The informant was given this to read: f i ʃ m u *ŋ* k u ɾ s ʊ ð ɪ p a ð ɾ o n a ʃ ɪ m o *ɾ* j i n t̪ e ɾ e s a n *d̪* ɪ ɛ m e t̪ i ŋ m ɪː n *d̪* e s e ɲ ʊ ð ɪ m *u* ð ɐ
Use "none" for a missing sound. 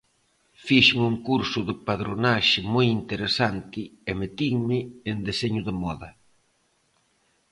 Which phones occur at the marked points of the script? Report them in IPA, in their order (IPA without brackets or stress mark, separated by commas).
ŋ, none, t̪, d̪, ɔ